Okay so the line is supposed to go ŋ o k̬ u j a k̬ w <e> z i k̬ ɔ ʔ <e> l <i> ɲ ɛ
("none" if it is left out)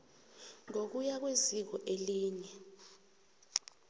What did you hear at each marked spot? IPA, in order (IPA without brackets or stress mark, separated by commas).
e, e, iː